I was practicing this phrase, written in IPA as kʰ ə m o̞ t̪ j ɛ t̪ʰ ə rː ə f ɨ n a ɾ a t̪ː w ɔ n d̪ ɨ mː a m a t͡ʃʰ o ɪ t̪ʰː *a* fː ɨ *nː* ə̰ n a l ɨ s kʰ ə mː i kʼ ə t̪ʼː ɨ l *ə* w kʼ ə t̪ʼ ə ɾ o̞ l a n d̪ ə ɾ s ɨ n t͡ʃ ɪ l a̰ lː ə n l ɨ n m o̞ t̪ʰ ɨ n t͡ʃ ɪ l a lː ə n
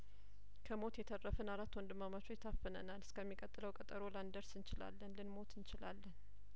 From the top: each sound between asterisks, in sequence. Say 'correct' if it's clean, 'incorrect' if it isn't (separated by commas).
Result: correct, incorrect, correct